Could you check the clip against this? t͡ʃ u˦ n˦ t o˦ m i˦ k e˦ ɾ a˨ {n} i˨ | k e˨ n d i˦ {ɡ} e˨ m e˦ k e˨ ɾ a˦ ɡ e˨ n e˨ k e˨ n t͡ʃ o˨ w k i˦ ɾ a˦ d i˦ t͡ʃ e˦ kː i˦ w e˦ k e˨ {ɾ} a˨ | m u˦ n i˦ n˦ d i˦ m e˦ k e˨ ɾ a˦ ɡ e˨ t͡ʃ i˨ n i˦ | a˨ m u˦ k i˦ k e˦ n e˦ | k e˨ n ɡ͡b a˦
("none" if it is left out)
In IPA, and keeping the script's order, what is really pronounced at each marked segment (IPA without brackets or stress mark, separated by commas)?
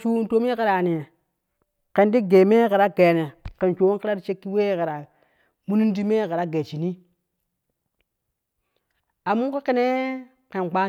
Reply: n, ɡ, ɾ